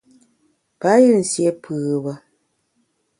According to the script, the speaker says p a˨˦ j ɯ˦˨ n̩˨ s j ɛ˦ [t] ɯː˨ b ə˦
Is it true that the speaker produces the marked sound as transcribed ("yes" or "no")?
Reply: no